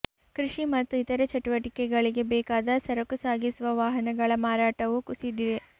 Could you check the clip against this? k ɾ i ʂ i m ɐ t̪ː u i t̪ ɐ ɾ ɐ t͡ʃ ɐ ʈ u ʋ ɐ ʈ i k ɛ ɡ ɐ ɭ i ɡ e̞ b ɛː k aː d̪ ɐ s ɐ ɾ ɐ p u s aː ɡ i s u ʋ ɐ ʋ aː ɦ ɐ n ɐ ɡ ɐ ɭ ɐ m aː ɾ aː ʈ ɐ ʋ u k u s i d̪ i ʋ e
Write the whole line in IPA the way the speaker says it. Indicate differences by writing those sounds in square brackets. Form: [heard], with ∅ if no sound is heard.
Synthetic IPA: k ɾ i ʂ i m ɐ t̪ː u i t̪ ɐ ɾ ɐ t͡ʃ ɐ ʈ u ʋ ɐ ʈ i k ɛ ɡ ɐ ɭ i ɡ e̞ b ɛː k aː d̪ ɐ s ɐ ɾ ɐ [k] u s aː ɡ i s u ʋ ɐ ʋ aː ɦ ɐ n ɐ ɡ ɐ ɭ ɐ m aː ɾ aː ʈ ɐ ʋ u k u s i d̪ i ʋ e